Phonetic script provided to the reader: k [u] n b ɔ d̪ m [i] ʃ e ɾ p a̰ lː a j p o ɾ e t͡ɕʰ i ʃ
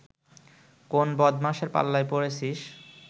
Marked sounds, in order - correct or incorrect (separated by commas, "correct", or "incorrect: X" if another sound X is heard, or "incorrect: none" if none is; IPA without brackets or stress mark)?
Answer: incorrect: o, incorrect: a